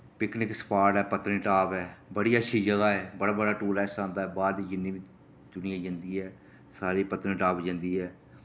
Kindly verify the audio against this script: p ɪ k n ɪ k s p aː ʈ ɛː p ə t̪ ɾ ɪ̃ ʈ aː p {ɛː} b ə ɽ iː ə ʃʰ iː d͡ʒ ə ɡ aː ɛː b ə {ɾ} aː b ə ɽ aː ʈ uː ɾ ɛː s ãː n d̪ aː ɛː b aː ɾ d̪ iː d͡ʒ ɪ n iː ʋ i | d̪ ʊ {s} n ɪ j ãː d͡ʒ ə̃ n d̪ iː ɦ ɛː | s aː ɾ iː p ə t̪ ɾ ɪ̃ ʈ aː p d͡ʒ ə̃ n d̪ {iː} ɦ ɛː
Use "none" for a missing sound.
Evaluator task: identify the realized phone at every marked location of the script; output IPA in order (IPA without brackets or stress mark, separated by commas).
ɛː, ɽ, none, iː